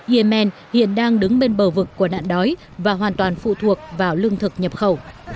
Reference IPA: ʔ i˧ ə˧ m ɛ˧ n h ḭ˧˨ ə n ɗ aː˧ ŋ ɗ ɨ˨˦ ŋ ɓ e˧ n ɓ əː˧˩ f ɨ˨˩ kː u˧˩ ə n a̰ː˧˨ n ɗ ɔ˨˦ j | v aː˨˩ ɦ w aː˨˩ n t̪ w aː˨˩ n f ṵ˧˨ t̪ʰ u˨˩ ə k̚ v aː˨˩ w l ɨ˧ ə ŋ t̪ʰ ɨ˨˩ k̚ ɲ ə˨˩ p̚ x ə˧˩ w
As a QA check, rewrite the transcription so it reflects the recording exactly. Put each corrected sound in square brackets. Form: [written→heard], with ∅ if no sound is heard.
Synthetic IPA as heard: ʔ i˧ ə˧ m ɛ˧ n h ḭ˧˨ ə n ɗ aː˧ ŋ ɗ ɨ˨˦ ŋ ɓ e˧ n ɓ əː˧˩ [f→v] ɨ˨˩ kː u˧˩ ə n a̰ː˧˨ n ɗ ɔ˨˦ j | v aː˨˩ ɦ w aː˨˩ n t̪ w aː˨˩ n f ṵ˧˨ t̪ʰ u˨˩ ə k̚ v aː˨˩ w l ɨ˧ ə ŋ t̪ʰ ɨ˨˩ k̚ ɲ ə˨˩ p̚ x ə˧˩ w